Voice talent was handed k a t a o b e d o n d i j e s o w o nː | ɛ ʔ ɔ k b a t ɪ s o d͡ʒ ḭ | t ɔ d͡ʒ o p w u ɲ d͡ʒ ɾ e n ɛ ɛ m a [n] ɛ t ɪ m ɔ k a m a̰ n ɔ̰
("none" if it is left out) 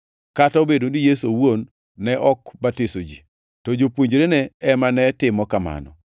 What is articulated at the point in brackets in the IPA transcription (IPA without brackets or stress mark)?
n